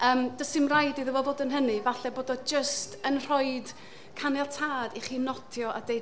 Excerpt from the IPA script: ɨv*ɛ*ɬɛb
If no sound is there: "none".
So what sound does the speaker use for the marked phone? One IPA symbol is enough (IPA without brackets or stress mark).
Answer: a